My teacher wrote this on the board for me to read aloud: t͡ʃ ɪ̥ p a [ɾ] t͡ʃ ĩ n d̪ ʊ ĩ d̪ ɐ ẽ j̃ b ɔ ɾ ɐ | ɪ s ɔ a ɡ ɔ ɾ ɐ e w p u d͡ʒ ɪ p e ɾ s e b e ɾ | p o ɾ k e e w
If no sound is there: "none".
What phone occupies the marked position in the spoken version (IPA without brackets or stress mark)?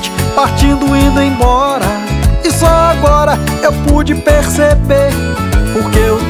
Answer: ɾ